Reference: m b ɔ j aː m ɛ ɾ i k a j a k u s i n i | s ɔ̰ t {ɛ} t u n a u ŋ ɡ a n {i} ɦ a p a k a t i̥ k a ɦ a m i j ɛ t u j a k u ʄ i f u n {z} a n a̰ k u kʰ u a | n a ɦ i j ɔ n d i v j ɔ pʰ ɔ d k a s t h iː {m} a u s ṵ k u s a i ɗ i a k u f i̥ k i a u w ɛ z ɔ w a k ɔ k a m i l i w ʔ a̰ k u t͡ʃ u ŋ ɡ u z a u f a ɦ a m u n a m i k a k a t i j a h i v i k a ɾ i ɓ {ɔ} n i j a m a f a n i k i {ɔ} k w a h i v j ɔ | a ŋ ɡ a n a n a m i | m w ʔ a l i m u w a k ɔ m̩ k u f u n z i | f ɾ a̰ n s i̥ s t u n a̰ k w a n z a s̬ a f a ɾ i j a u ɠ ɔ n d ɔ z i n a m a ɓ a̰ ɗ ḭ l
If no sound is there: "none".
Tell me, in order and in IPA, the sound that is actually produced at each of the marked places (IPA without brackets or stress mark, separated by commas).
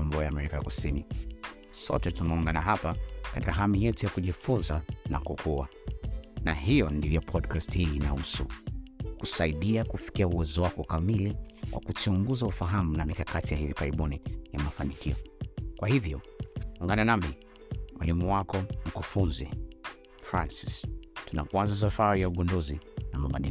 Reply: ɛ, a, z, n, u, ɔ